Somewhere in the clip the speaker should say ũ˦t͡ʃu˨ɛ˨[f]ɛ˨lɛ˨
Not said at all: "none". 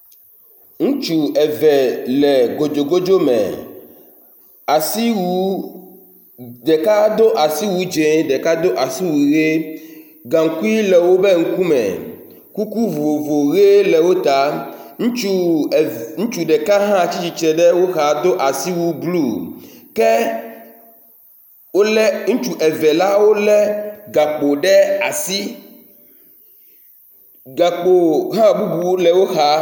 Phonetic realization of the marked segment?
v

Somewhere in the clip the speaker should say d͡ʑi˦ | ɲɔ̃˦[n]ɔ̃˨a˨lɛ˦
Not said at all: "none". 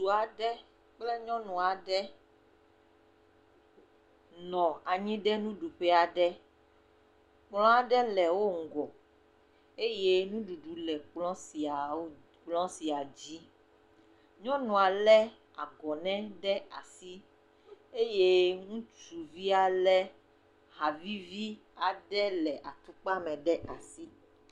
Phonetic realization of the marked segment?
n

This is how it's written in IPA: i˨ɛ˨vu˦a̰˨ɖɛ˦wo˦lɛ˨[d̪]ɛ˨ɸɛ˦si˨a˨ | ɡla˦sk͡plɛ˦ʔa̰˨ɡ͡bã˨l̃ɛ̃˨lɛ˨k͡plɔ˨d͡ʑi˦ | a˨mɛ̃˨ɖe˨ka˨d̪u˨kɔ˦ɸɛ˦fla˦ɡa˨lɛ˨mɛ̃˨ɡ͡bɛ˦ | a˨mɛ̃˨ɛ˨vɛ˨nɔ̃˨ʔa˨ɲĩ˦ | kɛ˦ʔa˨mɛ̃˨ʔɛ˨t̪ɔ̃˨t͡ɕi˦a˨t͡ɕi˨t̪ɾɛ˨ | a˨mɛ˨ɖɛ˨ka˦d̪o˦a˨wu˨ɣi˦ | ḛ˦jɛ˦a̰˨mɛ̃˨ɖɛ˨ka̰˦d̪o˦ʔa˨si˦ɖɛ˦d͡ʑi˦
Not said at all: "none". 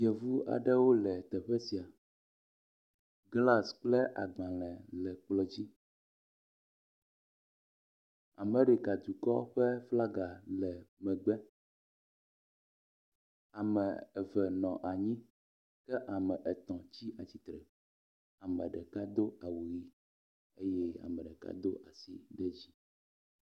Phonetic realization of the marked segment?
t̪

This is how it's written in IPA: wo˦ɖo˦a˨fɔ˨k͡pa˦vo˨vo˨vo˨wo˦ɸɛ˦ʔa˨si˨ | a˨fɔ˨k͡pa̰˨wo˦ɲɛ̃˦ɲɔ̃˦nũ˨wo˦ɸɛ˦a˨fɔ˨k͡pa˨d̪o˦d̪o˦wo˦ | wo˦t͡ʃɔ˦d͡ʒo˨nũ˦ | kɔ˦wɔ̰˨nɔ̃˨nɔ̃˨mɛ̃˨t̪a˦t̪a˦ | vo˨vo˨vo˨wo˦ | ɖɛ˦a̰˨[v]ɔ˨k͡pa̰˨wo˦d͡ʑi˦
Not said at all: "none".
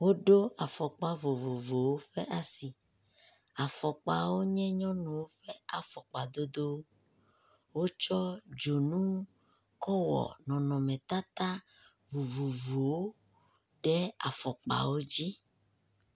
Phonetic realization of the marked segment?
f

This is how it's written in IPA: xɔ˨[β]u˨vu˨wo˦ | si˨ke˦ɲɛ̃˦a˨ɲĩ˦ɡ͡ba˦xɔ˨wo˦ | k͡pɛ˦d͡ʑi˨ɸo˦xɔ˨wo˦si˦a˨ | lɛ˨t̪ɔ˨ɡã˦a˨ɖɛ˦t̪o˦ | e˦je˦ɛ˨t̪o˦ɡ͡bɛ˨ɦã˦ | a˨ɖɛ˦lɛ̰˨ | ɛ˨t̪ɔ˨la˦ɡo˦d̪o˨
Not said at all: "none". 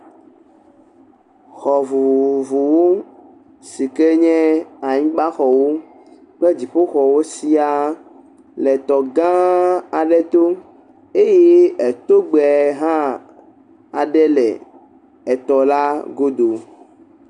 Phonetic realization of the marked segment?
v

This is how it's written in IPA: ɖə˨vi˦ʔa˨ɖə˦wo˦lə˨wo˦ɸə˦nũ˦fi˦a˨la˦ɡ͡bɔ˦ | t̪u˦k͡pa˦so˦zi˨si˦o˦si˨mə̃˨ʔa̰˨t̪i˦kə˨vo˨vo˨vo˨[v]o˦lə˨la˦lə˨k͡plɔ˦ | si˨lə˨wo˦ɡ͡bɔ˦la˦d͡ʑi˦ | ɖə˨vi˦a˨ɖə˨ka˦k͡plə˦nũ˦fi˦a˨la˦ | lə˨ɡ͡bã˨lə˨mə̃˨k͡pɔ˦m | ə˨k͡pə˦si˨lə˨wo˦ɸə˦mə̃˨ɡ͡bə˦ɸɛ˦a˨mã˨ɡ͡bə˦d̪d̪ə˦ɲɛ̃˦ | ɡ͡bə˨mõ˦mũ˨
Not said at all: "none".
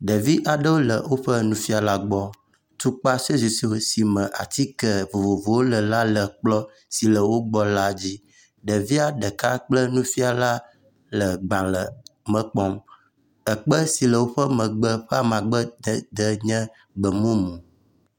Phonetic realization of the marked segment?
w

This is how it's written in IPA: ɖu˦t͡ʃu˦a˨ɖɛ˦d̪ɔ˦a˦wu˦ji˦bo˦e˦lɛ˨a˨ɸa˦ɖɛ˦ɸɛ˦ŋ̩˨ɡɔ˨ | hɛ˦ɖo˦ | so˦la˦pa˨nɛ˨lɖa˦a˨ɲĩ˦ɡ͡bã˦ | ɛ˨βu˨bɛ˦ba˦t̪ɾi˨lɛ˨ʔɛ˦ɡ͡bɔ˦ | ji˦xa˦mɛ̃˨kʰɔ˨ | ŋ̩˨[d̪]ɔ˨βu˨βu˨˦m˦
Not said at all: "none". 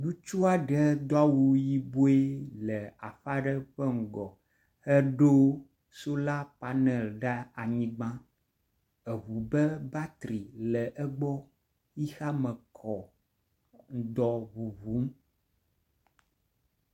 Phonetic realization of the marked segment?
d̪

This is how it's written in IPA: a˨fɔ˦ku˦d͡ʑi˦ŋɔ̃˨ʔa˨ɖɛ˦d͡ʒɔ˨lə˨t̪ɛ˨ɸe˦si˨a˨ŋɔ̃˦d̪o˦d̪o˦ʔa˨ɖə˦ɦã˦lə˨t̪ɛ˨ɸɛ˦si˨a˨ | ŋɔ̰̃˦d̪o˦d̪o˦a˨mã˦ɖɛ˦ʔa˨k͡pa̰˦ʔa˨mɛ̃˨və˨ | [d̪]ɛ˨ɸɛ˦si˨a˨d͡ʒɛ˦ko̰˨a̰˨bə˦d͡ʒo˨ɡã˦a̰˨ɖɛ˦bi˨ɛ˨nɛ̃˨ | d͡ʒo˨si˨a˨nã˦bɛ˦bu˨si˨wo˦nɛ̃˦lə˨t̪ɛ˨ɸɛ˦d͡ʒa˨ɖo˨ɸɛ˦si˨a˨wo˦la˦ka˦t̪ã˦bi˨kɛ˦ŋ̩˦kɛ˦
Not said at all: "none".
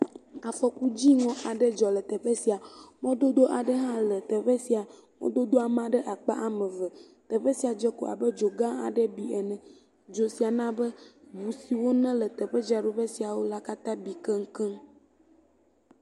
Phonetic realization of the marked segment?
t̪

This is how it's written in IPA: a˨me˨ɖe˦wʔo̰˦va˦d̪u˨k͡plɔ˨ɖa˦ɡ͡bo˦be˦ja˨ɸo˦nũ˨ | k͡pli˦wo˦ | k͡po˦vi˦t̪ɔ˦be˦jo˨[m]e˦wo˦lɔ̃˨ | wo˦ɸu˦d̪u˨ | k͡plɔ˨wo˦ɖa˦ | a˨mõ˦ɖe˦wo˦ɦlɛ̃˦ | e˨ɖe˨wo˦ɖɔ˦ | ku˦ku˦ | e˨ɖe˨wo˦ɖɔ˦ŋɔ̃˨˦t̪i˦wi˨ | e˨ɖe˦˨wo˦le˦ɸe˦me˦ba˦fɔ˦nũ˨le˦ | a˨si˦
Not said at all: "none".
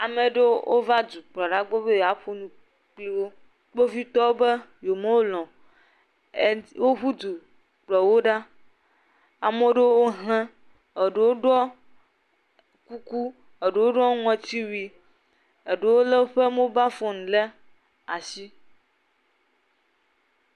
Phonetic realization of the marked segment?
m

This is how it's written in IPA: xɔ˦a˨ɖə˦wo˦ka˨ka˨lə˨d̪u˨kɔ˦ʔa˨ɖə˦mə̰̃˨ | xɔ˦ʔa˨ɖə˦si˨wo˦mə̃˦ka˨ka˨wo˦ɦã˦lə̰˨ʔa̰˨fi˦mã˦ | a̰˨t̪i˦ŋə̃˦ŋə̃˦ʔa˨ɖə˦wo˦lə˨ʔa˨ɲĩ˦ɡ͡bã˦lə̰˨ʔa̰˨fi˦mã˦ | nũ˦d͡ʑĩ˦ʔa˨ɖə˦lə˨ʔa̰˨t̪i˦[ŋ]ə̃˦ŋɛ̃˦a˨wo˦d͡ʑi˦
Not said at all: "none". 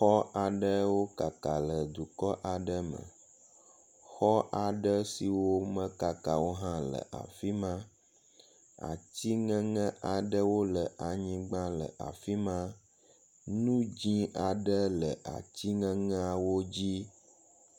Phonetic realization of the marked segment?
ŋ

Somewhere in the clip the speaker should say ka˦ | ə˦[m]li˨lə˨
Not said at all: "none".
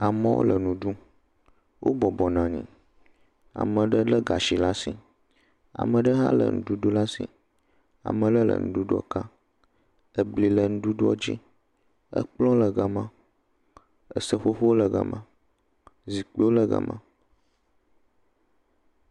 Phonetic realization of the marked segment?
b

